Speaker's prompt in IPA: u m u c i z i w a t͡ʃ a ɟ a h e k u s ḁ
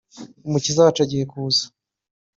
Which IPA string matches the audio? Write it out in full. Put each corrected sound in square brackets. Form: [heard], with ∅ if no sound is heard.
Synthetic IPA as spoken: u m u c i z [a] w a t͡ʃ a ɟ [i] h e k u [z] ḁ